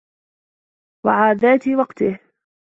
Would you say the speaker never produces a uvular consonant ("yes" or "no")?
no